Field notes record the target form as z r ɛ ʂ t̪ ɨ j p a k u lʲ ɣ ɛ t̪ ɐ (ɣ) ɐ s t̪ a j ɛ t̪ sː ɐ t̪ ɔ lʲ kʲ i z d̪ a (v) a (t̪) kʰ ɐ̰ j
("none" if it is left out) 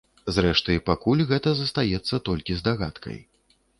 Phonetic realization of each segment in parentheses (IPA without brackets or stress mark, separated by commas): z, ɣ, t̪